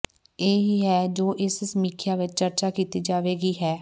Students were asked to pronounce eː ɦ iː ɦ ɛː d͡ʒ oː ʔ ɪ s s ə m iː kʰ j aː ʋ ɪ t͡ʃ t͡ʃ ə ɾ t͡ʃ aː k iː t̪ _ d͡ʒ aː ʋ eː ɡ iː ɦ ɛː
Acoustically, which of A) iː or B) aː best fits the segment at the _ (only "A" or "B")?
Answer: A